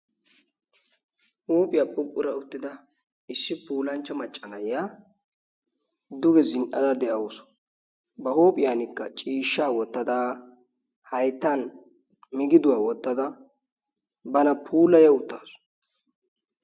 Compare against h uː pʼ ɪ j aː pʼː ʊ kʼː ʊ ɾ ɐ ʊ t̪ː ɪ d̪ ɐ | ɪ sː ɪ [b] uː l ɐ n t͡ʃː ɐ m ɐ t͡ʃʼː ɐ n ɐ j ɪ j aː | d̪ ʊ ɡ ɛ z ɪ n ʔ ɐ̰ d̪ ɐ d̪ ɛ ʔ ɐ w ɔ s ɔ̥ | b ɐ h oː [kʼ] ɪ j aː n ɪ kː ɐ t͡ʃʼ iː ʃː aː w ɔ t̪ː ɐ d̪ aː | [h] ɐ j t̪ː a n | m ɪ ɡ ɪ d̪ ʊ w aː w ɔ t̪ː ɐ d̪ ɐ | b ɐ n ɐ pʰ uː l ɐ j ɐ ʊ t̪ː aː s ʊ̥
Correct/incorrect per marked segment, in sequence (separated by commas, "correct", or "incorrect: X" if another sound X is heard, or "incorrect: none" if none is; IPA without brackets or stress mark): incorrect: p, incorrect: pʼ, correct